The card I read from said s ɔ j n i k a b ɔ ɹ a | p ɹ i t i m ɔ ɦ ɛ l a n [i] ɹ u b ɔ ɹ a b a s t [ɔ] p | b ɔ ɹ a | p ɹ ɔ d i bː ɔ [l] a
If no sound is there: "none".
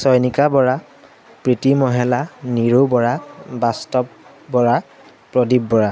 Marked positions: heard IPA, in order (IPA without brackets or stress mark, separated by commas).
i, ɔ, ɹ